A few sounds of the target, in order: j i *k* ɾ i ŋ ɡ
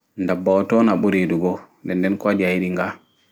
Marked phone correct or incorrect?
incorrect